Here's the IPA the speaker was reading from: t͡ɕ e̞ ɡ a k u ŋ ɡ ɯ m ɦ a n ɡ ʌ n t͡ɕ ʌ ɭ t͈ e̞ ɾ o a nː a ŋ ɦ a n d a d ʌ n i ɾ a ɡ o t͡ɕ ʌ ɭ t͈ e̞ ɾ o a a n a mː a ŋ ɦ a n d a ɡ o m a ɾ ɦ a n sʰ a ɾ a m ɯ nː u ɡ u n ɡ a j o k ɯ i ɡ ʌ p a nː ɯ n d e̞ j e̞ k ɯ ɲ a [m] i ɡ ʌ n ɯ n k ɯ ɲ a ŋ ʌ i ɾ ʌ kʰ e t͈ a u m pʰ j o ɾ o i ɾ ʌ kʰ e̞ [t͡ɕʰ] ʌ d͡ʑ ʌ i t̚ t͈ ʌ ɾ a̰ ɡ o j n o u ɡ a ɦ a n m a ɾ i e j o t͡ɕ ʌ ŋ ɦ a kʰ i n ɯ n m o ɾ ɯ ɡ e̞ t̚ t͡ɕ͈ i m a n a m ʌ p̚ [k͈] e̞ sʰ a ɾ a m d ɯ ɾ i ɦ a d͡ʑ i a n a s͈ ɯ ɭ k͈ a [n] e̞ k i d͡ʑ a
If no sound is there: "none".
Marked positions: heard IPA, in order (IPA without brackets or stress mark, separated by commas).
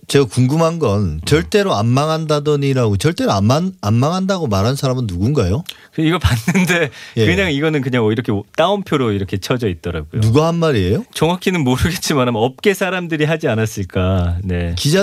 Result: ŋ, t͡ɕʰ, k͈, n